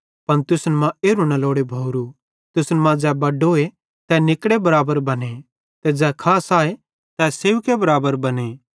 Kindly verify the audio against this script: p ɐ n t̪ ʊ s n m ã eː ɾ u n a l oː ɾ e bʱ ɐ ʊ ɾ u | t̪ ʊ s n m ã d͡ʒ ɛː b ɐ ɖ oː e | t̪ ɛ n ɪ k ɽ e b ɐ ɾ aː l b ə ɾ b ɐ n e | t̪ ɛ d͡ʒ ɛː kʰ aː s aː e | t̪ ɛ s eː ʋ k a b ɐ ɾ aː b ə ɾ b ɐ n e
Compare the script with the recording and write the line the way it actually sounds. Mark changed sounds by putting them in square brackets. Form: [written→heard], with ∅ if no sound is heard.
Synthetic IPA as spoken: p ɐ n t̪ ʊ s n m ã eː ɾ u n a l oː [ɾ→ɽ] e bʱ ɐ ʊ ɾ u | t̪ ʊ s n m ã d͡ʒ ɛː b ɐ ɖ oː e | t̪ ɛ n ɪ k ɽ e b ɐ ɾ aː [l→∅] b ə ɾ b ɐ n e | t̪ ɛ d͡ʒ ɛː kʰ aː s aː e | t̪ ɛ s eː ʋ k [a→e] b ɐ ɾ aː b ə ɾ b ɐ n e

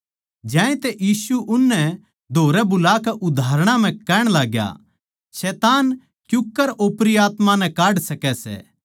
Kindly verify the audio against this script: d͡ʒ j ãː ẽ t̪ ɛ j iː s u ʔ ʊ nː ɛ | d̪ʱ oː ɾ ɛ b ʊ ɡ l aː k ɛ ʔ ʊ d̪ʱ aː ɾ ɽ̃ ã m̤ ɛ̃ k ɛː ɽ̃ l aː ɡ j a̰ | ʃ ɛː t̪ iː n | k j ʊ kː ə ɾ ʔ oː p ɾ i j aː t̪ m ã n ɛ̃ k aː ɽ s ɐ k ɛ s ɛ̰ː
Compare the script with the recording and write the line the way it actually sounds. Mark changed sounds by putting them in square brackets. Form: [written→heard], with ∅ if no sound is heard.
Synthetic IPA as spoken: d͡ʒ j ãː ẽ t̪ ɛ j iː s u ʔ ʊ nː ɛ | d̪ʱ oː ɾ ɛ b ʊ [ɡ→∅] l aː k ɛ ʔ ʊ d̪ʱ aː ɾ ɽ̃ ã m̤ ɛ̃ k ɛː ɽ̃ l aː ɡ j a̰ | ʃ ɛː t̪ [iː→aː] n | k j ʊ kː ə ɾ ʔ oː p ɾ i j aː t̪ m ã n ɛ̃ k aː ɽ s ɐ k ɛ s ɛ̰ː

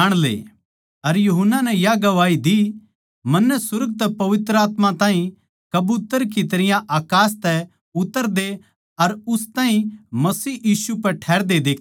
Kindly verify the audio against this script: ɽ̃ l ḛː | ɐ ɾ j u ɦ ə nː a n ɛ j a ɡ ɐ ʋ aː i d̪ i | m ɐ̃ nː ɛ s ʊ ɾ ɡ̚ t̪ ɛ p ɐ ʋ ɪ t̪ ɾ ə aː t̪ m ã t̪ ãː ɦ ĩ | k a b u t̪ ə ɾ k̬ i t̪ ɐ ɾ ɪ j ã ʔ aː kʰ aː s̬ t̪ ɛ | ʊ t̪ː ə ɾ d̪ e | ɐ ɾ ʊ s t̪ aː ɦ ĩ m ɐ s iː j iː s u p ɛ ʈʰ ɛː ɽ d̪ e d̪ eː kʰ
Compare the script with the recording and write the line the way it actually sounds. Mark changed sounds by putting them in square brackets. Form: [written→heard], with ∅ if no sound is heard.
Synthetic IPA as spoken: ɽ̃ l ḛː | ɐ ɾ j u ɦ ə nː a n ɛ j a ɡ ɐ ʋ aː i d̪ i | m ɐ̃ nː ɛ s ʊ ɾ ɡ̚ t̪ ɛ p ɐ ʋ ɪ t̪ ɾ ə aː t̪ m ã t̪ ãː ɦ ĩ | k [a→ɐ] b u t̪ ə ɾ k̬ i t̪ ɐ ɾ ɪ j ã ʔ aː [kʰ→k] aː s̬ t̪ ɛ | ʊ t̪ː ə ɾ d̪ e | ɐ ɾ ʊ s t̪ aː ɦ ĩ m ɐ s iː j iː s u p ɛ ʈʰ ɛː [ɽ→ɾ] d̪ e d̪ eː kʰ

